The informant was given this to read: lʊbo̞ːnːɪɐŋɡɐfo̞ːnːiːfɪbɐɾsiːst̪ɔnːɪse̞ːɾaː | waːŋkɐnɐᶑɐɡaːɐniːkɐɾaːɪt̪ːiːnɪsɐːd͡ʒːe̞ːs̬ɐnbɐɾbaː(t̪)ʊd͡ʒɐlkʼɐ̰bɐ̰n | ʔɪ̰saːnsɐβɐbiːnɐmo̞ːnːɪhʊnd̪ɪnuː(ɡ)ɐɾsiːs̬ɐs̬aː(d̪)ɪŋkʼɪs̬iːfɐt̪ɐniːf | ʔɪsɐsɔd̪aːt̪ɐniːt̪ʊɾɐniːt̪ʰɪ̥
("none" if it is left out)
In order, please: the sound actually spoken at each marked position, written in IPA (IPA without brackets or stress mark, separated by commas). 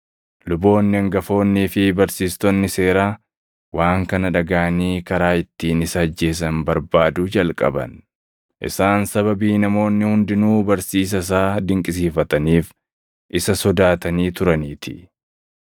d̪, b, d̪